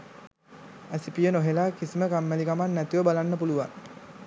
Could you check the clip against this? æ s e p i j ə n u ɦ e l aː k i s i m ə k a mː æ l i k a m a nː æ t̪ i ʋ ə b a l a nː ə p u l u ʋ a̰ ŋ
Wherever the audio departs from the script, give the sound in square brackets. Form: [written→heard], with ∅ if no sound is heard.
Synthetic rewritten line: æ s [e→i] p i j ə n [u→o] ɦ e l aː k i s i m ə k a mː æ l i k a m a nː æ t̪ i ʋ ə b a l a nː ə p u l u ʋ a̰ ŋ